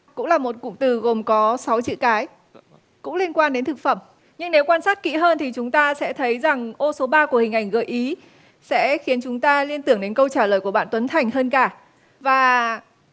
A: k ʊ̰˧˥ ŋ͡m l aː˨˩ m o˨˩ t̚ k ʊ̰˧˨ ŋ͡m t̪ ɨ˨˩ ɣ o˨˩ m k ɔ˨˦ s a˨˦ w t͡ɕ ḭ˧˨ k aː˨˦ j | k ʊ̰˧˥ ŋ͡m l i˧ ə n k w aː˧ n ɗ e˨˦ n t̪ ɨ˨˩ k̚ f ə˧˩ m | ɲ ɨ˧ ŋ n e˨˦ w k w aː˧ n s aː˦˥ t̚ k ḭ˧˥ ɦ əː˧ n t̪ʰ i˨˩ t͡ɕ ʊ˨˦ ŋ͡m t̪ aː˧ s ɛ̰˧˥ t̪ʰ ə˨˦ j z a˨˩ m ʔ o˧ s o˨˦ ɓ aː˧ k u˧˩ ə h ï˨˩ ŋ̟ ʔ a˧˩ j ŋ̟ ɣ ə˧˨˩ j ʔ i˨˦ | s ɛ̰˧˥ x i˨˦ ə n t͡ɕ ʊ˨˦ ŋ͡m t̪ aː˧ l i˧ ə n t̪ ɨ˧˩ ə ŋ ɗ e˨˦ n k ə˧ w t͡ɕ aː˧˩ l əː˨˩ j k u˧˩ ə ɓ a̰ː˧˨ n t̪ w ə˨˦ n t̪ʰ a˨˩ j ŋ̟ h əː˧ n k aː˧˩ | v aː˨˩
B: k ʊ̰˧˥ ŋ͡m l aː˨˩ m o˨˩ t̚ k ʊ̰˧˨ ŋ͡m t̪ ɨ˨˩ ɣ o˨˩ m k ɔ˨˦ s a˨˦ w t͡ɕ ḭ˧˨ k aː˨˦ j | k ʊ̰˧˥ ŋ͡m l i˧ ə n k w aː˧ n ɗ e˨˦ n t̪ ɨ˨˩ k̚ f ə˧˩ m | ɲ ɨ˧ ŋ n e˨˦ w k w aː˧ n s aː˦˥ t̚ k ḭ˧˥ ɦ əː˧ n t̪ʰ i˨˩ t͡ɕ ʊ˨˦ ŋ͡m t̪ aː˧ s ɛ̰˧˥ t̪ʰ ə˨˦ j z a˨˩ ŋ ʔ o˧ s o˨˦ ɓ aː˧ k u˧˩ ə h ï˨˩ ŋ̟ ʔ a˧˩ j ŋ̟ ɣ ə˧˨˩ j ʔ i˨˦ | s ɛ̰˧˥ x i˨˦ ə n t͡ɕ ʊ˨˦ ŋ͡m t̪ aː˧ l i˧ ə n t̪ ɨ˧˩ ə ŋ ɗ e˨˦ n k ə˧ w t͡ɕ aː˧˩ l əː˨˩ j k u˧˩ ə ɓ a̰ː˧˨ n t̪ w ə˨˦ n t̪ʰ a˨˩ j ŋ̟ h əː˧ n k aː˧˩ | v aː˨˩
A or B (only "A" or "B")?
B